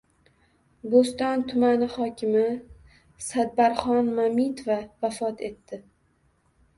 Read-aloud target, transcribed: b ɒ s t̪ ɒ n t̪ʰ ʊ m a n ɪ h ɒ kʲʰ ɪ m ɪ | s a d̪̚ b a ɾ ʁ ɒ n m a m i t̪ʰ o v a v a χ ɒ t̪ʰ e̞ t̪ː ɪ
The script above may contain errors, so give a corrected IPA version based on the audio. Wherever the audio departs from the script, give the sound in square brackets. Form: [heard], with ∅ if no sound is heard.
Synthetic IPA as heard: b [o] s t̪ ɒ n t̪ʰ ʊ m a n ɪ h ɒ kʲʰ ɪ m ɪ | s a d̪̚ b a ɾ [χ] ɒ n m a m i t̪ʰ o v a v a [f] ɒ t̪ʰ e̞ t̪ː ɪ